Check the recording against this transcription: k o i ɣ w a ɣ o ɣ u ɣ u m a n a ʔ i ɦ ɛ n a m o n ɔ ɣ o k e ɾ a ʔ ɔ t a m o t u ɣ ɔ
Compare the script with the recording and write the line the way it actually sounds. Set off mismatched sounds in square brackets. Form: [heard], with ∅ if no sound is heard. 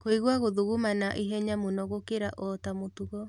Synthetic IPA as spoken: k o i ɣ w a ɣ o [ð] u ɣ u m a n a ʔ i ɦ ɛ [ɲ] a m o n ɔ ɣ o k e ɾ a ʔ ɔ t a m o t u ɣ ɔ